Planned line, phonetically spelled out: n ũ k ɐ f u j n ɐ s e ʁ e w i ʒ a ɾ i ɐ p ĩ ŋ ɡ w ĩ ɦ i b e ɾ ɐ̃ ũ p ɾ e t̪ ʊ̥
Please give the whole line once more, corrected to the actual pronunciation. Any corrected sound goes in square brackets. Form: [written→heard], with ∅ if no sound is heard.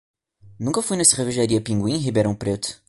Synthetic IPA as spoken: n ũ k ɐ f u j n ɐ s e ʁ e [w→v] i ʒ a ɾ i ɐ p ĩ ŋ ɡ w ĩ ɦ i b e ɾ ɐ̃ [ũ→w̃] p ɾ e t̪ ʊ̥